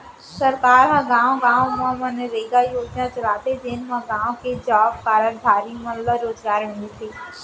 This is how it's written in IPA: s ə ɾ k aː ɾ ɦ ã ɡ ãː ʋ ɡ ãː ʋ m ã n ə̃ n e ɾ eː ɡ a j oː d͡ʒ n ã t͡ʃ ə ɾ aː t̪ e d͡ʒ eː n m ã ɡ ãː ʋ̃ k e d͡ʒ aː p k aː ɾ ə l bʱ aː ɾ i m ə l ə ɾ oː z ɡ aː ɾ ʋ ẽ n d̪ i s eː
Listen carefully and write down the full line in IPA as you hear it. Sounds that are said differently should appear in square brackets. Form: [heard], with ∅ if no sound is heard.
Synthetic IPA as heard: s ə ɾ k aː ɾ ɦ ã ɡ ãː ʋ ɡ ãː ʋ m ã [m] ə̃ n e ɾ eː ɡ a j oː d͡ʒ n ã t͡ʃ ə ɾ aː t̪ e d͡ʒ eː n m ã ɡ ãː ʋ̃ k e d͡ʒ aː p k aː ɾ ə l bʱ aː ɾ i m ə l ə ɾ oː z ɡ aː ɾ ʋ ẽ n d̪ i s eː